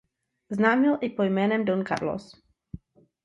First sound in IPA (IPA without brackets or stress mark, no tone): z